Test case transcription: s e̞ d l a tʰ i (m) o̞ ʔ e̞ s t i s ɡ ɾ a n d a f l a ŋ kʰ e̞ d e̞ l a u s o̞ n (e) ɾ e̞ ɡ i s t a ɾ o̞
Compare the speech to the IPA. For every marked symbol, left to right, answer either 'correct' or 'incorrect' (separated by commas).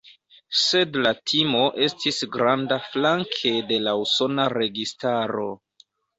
correct, incorrect